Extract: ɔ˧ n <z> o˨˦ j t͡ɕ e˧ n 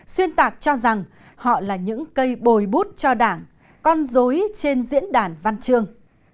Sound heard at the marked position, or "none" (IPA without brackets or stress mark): z